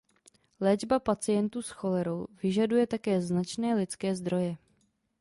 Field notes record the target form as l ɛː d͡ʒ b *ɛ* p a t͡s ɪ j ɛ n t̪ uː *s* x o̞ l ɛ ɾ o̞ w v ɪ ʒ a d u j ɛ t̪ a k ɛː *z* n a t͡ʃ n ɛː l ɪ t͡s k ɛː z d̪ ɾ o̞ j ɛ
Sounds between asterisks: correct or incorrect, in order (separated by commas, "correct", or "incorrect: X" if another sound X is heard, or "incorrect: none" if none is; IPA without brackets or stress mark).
incorrect: a, correct, correct